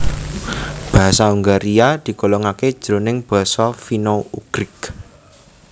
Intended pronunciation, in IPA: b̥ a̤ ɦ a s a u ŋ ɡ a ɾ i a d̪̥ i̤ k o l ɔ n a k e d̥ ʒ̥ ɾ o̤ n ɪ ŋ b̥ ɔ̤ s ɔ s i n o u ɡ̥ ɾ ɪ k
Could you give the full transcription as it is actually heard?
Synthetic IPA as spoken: b̥ a̤ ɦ a s a u ŋ ɡ a ɾ i a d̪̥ i̤ k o l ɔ ŋ a k e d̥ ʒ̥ ɾ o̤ n ɪ ŋ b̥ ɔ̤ s ɔ f i n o u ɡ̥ ɾ ɪ k